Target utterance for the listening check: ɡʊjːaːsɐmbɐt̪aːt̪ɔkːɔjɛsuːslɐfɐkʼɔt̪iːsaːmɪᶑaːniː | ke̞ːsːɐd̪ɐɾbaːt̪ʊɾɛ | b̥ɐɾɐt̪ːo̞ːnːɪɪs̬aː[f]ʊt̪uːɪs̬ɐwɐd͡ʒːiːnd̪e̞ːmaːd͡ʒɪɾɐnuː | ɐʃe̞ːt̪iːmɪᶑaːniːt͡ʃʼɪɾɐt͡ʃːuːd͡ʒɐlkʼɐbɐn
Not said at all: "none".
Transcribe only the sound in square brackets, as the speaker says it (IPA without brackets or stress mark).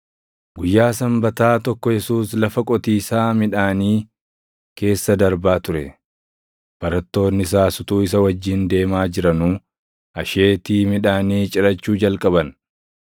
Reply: s